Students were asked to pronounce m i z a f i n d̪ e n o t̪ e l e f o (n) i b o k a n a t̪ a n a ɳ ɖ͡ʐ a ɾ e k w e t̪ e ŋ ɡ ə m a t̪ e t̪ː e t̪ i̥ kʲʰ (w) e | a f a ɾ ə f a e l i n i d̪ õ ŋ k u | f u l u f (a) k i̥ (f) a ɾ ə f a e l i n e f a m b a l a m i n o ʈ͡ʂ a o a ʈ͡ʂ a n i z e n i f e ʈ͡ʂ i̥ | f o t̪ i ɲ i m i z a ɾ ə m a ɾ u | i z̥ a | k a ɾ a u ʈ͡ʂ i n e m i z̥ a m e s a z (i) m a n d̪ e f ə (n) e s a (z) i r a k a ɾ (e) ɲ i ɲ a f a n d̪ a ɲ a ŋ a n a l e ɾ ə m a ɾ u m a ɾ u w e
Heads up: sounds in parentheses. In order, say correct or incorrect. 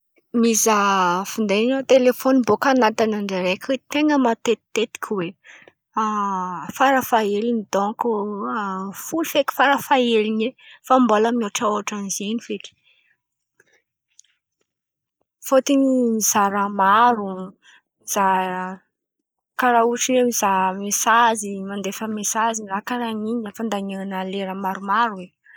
correct, correct, incorrect: e, correct, correct, incorrect: m, correct, incorrect: a

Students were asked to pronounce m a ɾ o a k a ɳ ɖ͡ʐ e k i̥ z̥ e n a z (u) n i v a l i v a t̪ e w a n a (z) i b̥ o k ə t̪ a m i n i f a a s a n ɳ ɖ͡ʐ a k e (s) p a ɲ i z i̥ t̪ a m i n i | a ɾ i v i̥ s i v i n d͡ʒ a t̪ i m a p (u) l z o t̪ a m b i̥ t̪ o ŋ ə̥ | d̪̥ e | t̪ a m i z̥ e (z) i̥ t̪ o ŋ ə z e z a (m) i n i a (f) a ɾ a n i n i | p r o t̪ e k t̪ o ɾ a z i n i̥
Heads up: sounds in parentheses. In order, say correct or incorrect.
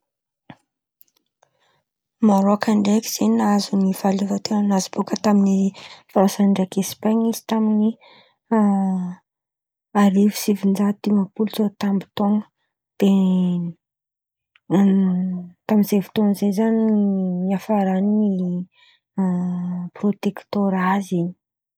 correct, correct, correct, correct, incorrect: v, incorrect: n, correct

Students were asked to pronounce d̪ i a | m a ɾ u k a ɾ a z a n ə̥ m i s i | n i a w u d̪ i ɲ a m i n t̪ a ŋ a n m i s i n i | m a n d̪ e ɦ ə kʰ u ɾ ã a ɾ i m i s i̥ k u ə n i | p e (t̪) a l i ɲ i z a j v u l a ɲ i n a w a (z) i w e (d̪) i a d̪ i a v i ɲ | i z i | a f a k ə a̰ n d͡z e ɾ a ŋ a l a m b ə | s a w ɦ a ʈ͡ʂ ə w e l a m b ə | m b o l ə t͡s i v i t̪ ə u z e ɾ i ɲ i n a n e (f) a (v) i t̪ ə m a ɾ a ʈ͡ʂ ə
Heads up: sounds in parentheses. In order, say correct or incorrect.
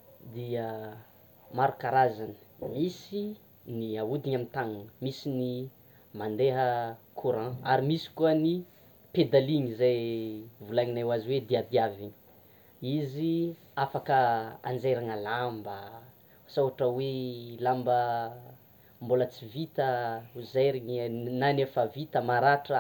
incorrect: d̪, correct, correct, correct, correct

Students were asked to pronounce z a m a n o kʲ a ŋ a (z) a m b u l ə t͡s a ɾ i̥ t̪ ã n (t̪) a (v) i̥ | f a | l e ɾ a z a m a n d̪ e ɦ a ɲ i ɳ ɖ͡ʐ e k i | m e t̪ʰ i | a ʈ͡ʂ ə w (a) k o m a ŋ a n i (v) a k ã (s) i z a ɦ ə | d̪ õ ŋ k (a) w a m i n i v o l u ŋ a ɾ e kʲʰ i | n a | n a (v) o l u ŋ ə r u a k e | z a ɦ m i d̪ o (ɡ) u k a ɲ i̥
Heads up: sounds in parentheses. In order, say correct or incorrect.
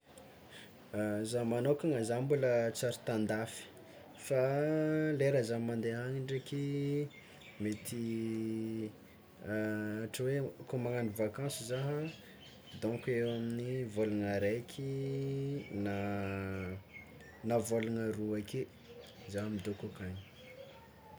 correct, incorrect: d̪, incorrect: f, incorrect: e, correct, correct, incorrect: e, correct, incorrect: k

